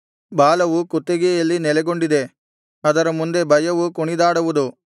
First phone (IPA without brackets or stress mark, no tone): b